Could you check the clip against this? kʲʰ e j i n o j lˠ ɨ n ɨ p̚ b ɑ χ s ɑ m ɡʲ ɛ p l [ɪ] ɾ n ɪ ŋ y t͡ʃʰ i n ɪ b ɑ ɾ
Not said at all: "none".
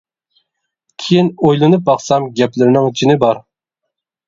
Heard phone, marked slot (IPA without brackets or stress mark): ɪ